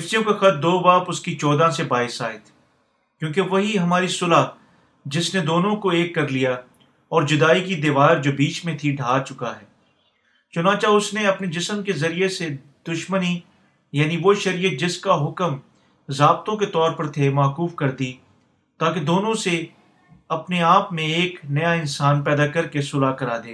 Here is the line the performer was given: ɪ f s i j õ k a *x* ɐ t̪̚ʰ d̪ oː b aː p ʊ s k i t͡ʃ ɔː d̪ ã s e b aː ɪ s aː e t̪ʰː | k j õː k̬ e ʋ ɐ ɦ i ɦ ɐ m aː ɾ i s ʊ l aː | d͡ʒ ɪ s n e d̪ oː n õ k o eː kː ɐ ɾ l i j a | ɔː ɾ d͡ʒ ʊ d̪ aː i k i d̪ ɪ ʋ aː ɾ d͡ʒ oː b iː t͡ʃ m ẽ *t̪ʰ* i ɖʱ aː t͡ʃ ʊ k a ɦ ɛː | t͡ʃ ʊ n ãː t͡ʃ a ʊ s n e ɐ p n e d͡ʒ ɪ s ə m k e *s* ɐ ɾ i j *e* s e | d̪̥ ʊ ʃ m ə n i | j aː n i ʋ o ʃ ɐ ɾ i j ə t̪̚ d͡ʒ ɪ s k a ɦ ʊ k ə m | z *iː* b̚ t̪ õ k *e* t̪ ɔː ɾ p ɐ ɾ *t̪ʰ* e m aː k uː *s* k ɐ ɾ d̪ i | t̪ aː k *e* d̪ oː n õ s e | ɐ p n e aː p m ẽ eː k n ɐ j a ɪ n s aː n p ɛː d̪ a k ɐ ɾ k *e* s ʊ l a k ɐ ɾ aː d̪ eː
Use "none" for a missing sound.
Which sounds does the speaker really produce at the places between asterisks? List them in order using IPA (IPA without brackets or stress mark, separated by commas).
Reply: x, t̪ʰ, z, e, aː, e, t̪ʰ, f, e, e